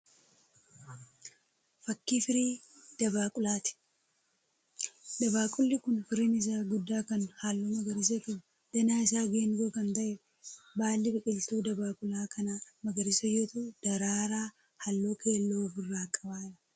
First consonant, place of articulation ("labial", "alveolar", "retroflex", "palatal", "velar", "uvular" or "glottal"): labial